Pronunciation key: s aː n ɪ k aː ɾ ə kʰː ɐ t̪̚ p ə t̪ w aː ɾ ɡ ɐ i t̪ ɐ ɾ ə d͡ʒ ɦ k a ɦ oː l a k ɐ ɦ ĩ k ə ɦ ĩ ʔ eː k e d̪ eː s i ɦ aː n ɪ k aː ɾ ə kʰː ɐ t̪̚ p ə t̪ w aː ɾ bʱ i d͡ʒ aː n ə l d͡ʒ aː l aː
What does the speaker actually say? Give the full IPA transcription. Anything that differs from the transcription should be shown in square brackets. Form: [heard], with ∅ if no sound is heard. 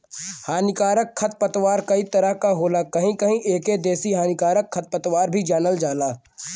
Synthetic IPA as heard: [h] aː n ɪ k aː ɾ ə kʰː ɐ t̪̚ p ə t̪ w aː ɾ [k] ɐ i t̪ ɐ ɾ ə [∅] ɦ k a ɦ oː l a k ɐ ɦ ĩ k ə ɦ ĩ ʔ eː k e d̪ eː s i ɦ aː n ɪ k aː ɾ ə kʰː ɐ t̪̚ p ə t̪ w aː ɾ bʱ i d͡ʒ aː n ə l d͡ʒ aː l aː